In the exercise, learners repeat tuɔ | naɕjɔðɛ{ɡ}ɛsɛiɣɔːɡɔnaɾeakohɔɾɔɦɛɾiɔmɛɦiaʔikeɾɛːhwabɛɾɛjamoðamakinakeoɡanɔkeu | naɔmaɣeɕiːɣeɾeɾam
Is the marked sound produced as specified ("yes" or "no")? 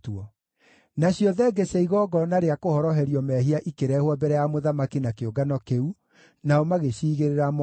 yes